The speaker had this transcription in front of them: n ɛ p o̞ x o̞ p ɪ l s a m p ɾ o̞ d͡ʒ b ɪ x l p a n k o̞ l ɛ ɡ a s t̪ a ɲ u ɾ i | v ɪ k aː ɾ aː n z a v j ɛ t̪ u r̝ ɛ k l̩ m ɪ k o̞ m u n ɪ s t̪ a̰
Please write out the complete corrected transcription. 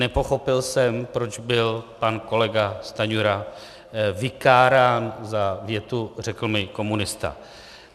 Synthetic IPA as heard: n ɛ p o̞ x o̞ p ɪ l s ɛ m p ɾ o̞ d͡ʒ b ɪ l p a n k o̞ l ɛ ɡ a s t̪ a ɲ u ɾ a | v ɪ k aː ɾ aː n z a v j ɛ t̪ u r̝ ɛ k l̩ m ɪ k o̞ m u n ɪ s t̪ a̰